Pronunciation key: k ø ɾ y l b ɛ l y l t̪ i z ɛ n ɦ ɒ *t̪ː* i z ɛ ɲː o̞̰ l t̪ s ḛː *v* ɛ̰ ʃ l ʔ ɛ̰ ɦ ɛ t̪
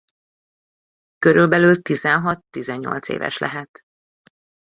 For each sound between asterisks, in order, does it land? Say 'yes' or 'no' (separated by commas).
yes, yes